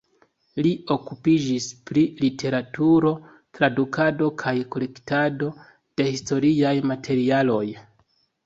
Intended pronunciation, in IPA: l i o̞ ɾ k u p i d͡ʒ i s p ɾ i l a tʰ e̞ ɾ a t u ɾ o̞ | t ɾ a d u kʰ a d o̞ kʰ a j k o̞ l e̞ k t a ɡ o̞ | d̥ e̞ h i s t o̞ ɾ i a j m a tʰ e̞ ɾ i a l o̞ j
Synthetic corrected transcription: l i o̞ k u p i d͡ʒ i s p ɾ i l i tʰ e̞ ɾ a t u ɾ o̞ | t ɾ a d u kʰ a d o̞ kʰ a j k o̞ l e̞ k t a d o̞ | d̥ e̞ h i s t o̞ ɾ i a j m a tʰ e̞ ɾ i a l o̞ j